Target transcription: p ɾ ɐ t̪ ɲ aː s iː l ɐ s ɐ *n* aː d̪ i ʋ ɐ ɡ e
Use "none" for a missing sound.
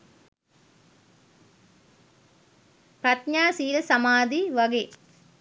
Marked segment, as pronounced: m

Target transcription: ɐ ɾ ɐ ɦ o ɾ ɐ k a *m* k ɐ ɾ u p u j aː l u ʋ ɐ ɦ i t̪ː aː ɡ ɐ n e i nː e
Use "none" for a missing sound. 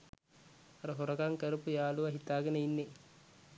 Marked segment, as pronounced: ŋ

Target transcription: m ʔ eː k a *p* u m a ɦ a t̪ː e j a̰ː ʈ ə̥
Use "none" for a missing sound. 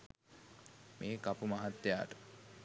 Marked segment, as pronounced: p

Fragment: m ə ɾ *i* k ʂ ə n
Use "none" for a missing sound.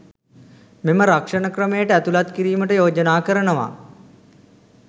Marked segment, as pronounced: a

